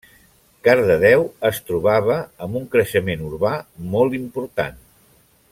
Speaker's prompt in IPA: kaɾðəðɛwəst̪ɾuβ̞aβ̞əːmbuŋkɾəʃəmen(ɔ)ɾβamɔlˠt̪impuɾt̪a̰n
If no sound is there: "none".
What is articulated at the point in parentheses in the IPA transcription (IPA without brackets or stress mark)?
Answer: u